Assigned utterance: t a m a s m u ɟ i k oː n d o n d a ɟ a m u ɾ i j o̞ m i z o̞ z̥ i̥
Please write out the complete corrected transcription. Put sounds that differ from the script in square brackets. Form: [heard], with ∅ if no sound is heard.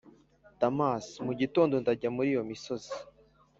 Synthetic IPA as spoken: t a m a s m u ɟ i [t] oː n d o n d a ɟ a m u ɾ i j o̞ m i [s] o̞ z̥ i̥